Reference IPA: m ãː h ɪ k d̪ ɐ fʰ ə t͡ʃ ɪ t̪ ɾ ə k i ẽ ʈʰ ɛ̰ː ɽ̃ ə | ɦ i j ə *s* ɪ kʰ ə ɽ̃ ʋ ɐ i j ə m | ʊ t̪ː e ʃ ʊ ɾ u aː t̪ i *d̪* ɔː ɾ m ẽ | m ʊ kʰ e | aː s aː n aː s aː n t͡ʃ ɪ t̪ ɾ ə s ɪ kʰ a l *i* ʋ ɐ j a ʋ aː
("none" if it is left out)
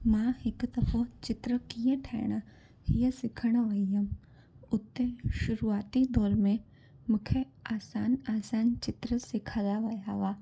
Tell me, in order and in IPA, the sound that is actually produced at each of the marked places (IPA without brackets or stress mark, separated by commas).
s, d̪, a